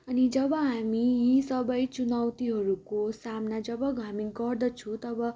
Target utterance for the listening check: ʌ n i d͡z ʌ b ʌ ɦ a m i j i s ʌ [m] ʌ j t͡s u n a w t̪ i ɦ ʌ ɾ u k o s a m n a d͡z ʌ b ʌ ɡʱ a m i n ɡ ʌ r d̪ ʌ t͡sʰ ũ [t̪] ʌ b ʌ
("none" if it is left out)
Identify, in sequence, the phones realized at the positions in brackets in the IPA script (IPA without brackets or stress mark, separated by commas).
b, t̪